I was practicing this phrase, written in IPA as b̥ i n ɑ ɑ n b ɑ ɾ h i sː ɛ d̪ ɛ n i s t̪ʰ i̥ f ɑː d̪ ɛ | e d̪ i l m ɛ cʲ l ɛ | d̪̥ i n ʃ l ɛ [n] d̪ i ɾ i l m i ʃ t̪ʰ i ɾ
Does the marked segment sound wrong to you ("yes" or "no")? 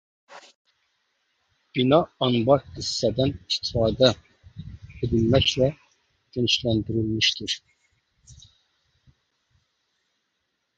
no